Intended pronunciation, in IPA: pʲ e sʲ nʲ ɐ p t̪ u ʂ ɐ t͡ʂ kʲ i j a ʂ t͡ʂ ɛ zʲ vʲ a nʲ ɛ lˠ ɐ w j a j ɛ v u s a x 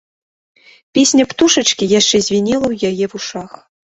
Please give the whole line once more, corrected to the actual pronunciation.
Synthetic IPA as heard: pʲ e sʲ nʲ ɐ p t̪ u ʂ ɐ t͡ʂ kʲ i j a ʂ t͡ʂ ɛ zʲ vʲ i nʲ ɛ lˠ ɐ w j a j ɛ v u ʂ a x